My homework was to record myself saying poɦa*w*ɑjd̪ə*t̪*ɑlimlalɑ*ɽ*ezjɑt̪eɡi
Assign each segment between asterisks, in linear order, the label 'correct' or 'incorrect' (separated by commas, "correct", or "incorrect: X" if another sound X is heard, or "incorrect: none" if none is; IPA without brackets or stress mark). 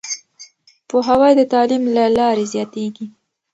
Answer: correct, correct, incorrect: ɾ